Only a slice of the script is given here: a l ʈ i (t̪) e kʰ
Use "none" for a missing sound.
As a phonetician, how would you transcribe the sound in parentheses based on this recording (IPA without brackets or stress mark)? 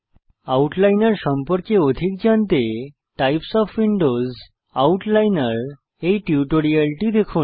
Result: d̪